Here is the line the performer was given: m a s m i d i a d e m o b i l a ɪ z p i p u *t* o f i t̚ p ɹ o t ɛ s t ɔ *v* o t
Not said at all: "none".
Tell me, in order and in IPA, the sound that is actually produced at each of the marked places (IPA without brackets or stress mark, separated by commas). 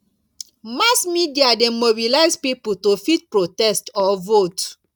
t, v